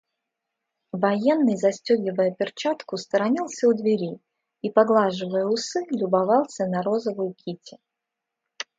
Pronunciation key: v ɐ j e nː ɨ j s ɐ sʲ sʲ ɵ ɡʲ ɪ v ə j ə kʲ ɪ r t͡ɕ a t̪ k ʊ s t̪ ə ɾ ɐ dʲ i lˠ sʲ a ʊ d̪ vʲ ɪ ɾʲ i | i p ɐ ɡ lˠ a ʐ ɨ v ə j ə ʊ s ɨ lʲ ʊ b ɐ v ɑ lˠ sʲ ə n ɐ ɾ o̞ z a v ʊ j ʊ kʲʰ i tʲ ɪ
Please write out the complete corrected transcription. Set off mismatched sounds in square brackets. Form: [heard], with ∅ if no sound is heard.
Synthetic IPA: v ɐ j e nː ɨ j [z] ɐ sʲ [tʲ] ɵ ɡʲ ɪ v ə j ə [pʲ] ɪ r t͡ɕ a t̪ k ʊ s t̪ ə ɾ ɐ [nʲ] i lˠ sʲ [ə] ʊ d̪ vʲ ɪ ɾʲ i | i p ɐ ɡ lˠ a ʐ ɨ v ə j ə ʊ s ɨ lʲ ʊ b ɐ v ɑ lˠ sʲ ə n ɐ ɾ o̞ z [ə] v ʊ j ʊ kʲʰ i tʲ ɪ